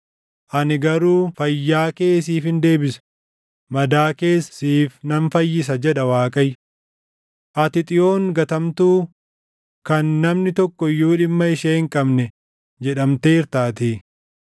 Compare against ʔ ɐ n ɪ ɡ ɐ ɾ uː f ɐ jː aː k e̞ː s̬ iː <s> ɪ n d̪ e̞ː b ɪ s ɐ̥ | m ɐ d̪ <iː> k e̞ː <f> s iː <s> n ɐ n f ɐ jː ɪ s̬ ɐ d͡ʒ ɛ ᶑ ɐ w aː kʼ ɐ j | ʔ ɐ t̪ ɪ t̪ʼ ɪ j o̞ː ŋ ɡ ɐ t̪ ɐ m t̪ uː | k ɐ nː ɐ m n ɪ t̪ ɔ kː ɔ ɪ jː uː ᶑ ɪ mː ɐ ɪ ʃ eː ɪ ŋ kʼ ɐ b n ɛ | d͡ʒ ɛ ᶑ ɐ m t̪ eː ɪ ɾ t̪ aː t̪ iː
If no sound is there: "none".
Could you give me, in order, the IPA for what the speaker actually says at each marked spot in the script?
f, aː, s, f

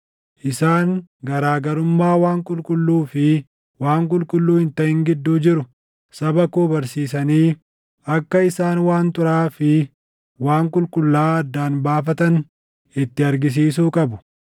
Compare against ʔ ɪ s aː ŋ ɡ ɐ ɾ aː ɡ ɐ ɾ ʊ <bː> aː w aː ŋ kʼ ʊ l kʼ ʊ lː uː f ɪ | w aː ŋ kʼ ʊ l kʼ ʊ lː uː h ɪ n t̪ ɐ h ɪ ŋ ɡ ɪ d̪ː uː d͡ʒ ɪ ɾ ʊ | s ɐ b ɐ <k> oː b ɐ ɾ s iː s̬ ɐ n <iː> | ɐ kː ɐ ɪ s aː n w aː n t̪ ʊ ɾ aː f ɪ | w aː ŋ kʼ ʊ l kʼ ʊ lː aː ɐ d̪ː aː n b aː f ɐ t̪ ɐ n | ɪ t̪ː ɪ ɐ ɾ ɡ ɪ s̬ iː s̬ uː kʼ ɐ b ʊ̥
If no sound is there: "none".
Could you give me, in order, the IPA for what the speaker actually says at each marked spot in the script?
mː, k, iː

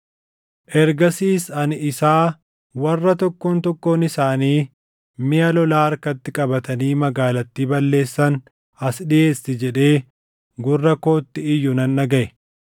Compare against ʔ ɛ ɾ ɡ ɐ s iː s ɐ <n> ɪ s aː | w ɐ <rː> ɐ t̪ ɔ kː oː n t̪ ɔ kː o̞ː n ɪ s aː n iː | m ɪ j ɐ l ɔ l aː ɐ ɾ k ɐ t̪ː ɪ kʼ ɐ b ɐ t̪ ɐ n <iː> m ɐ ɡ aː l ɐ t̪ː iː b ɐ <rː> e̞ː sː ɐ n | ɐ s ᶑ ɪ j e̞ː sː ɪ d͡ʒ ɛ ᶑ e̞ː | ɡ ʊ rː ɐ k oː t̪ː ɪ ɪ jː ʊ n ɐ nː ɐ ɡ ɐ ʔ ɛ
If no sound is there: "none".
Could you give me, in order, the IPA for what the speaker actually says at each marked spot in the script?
n, rː, iː, lː

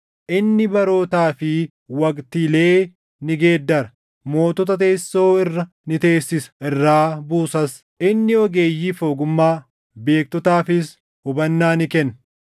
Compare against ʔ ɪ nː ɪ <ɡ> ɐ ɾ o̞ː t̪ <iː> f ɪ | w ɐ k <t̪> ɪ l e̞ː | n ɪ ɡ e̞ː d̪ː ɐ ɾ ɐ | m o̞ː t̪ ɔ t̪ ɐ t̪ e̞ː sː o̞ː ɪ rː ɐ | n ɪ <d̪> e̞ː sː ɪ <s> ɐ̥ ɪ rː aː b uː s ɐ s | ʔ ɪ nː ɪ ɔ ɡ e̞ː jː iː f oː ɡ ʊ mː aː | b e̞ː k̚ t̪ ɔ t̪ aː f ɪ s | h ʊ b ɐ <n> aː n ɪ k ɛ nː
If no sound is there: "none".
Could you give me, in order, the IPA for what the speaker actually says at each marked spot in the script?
b, aː, t̪, t̪, s, nː

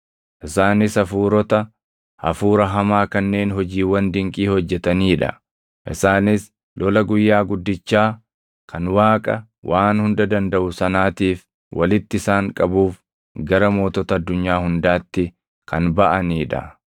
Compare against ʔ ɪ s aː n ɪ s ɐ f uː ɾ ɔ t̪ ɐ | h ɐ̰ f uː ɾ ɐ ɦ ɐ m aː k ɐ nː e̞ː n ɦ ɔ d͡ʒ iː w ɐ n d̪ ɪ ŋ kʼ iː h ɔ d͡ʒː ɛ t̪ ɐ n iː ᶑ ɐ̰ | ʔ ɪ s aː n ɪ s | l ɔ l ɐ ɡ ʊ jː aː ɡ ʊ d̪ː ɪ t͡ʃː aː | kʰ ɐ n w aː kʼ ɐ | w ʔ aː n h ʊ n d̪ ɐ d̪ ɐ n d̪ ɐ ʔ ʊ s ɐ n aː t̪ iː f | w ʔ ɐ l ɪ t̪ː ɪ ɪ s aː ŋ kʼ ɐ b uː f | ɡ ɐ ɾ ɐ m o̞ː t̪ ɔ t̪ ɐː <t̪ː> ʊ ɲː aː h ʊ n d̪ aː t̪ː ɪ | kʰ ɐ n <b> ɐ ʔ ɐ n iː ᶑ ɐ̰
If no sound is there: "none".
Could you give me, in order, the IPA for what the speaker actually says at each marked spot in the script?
d̪ː, b

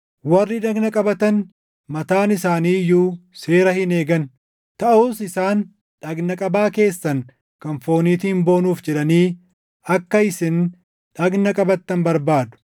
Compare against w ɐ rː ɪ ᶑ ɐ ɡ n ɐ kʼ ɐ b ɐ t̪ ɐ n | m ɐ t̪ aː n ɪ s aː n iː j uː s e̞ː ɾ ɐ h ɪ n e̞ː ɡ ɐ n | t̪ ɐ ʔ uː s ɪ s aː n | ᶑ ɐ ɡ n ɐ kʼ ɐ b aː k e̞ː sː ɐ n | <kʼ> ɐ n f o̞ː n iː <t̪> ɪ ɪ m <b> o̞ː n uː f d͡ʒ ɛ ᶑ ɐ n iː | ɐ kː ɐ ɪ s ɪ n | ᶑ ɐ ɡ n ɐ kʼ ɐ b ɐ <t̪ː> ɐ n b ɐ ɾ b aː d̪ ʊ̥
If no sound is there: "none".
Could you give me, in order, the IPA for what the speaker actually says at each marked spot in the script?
k, t̪, b, t̪ː

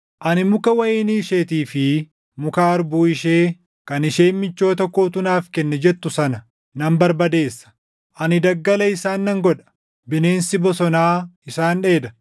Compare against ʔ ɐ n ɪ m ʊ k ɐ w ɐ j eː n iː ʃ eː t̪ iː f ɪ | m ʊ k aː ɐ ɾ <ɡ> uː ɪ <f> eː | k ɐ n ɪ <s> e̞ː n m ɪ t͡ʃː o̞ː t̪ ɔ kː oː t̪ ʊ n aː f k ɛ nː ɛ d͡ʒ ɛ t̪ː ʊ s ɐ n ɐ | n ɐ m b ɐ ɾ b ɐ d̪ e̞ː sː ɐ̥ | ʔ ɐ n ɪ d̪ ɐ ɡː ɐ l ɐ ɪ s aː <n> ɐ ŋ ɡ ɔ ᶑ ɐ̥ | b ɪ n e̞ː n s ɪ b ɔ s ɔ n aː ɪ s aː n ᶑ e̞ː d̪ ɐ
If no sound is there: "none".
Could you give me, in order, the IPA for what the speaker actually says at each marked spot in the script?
b, ʃ, ʃ, nː

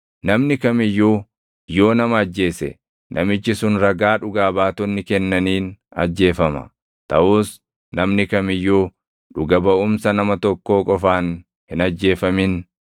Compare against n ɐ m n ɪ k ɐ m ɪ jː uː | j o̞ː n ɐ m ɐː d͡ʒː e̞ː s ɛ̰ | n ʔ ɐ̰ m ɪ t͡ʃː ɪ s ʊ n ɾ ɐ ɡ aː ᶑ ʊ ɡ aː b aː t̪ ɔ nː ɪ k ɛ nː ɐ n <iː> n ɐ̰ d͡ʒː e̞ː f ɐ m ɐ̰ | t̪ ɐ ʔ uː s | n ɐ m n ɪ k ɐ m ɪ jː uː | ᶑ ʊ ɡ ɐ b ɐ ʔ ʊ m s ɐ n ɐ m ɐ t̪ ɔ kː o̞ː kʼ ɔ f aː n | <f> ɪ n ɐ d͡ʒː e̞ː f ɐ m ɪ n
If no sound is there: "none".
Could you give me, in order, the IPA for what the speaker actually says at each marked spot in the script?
iː, h

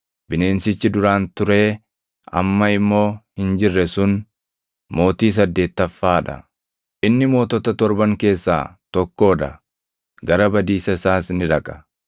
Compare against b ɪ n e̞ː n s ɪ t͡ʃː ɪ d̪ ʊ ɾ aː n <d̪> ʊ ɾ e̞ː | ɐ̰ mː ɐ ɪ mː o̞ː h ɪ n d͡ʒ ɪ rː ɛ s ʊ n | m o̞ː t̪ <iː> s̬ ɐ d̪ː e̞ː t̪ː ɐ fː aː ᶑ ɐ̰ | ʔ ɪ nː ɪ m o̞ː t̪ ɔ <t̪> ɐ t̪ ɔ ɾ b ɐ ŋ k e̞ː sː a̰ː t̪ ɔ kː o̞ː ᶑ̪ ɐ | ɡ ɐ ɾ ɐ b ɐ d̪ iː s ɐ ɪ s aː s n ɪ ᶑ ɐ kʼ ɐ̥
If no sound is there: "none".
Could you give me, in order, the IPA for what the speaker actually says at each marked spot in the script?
t̪, iː, t̪

